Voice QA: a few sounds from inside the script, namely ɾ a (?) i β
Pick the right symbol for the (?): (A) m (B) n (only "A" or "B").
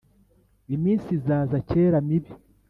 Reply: A